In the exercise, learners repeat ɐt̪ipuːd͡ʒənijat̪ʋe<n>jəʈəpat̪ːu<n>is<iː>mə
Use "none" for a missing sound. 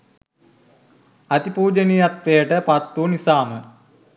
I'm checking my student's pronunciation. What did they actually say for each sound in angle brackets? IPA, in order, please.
none, n, aː

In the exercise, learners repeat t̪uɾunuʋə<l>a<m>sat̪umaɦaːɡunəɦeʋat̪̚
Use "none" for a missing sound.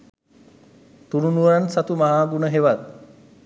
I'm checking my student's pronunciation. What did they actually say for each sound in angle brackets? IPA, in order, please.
ɾ, n

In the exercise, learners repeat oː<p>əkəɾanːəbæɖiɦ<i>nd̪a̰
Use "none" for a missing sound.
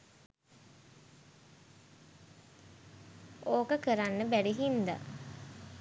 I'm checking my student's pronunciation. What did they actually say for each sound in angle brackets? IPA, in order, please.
k, i

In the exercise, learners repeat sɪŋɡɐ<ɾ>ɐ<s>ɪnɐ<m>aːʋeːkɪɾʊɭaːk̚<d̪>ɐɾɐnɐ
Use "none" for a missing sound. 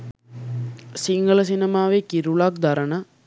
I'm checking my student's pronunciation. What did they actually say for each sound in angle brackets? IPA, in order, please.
ɭ, s, m, d̪

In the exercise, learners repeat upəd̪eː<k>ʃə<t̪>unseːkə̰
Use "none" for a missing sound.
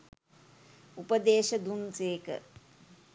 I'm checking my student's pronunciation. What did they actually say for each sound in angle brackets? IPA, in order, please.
none, d̪

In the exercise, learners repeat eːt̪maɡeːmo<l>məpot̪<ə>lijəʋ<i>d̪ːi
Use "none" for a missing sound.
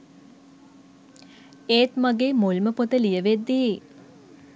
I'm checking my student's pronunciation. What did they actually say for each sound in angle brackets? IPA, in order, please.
l, ə, e

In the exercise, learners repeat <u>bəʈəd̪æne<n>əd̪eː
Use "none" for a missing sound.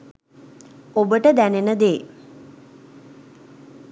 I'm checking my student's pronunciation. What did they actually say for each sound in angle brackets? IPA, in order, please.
o, n

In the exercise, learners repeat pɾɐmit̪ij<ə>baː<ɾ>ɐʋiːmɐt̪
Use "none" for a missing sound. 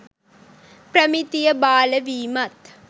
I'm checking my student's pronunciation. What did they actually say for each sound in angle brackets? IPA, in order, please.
ɐ, l

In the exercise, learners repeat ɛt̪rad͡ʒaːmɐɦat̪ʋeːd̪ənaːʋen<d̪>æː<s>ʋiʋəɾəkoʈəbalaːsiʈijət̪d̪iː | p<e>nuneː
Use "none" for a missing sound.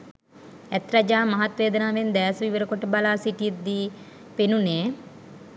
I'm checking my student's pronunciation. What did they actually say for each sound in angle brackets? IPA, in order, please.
d̪, s, e

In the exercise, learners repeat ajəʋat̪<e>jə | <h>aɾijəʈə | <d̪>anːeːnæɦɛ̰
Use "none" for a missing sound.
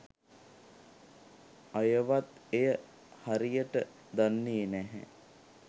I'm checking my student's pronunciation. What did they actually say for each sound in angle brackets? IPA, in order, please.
e, h, d̪

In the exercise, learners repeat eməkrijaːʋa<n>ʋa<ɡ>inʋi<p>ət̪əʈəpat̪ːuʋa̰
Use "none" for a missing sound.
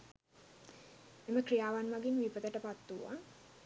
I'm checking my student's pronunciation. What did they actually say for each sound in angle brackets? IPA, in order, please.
n, ɡ, p

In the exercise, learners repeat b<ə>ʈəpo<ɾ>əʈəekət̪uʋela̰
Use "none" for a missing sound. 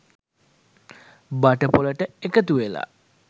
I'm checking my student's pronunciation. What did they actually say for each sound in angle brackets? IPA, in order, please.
a, l

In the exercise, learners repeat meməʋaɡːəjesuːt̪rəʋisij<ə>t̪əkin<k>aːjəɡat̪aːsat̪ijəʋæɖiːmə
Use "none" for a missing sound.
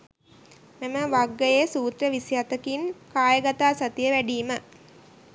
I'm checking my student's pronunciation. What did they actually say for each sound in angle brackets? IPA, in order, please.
a, k

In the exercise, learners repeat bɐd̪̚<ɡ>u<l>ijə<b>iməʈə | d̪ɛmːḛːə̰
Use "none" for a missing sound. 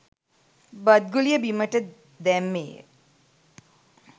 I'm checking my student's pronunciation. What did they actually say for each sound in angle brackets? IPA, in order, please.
ɡ, l, b

